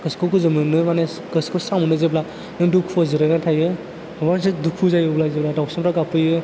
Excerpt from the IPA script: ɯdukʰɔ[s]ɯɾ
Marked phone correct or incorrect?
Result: incorrect